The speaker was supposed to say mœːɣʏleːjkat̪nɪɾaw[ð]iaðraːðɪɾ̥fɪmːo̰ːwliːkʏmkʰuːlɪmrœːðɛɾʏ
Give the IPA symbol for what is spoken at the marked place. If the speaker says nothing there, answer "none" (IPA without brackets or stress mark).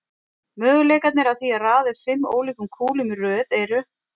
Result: θ